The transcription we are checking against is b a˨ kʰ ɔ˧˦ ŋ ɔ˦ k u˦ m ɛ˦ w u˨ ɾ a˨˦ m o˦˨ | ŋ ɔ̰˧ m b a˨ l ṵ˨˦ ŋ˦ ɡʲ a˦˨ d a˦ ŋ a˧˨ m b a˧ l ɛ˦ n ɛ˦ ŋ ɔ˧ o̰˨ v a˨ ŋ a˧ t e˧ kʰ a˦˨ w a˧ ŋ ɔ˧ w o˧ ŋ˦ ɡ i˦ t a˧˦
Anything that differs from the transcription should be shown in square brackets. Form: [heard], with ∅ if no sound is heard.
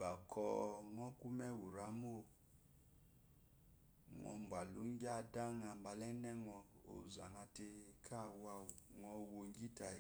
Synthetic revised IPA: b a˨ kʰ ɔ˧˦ ŋ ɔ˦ k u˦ m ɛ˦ w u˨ ɾ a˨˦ m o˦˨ | ŋ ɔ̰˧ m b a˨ l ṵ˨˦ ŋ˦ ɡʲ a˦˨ d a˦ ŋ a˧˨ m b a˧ l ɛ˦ n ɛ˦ ŋ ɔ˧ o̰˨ [z] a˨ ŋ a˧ t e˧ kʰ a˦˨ w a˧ ŋ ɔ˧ w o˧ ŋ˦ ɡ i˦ t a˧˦